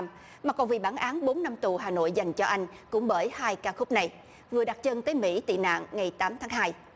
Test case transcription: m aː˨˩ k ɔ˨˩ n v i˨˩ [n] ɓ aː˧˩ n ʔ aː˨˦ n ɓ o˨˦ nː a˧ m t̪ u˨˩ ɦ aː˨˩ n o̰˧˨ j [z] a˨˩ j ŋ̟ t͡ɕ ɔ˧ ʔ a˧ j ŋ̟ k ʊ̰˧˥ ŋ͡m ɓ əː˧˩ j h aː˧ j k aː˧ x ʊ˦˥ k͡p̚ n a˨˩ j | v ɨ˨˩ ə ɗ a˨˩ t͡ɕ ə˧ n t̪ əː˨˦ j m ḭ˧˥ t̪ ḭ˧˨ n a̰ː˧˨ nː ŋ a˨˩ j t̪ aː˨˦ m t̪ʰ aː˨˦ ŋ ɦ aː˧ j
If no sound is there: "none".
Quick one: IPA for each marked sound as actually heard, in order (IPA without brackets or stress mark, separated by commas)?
none, z